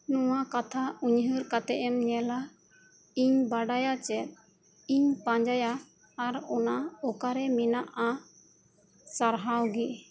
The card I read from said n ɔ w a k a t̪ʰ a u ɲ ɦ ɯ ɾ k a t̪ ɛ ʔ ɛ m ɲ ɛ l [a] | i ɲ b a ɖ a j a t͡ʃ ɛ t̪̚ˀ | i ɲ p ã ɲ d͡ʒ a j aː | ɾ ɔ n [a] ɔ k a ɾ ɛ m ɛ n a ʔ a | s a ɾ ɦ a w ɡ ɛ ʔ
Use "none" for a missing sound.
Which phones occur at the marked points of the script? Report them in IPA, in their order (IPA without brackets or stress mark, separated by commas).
a, a